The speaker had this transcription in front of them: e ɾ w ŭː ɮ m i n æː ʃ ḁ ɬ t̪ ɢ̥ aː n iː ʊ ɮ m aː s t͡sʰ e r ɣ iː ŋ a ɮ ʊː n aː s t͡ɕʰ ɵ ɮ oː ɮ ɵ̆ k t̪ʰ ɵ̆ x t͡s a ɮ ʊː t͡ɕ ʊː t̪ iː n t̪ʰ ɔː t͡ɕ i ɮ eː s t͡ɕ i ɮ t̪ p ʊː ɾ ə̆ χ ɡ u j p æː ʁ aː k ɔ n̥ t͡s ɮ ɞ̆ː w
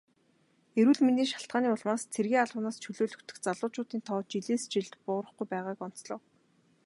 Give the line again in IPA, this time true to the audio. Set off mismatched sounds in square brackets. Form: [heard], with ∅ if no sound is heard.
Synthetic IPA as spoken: e ɾ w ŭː ɮ m i n [iː] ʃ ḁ ɬ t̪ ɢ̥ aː n iː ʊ ɮ m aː s t͡sʰ e r ɣ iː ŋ a ɮ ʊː n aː s t͡ɕʰ ɵ ɮ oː ɮ ɵ̆ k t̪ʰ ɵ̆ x t͡s a ɮ ʊː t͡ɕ ʊː t̪ iː n t̪ʰ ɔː t͡ɕ i ɮ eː s t͡ɕ i ɮ t̪ p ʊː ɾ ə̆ χ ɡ u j p æː ʁ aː k ɔ n̥ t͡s ɮ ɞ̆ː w